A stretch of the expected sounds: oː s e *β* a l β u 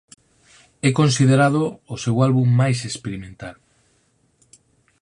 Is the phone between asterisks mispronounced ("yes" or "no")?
yes